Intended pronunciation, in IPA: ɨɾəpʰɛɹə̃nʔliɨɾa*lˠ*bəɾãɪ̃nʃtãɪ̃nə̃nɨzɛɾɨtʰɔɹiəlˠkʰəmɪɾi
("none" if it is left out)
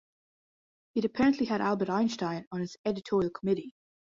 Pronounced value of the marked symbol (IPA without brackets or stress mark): lˠ